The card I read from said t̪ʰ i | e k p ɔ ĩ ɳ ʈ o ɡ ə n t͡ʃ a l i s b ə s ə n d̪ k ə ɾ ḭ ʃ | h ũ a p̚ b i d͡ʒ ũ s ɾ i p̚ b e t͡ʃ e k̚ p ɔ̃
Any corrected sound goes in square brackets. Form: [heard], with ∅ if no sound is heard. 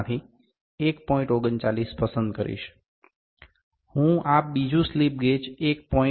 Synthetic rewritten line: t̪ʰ i | e k p ɔ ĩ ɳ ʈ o ɡ ə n t͡ʃ a l i s [p] ə s ə n d̪ k ə ɾ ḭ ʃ | h ũ a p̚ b i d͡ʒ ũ s [l] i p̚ [ɡ] e t͡ʃ e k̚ p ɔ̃